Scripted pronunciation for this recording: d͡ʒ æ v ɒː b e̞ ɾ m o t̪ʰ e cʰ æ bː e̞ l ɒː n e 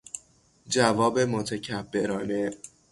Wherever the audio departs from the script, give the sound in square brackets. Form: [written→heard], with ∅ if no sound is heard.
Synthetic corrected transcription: d͡ʒ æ v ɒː b e̞ [ɾ→∅] m o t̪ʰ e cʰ æ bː e̞ [l→ɾ] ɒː n e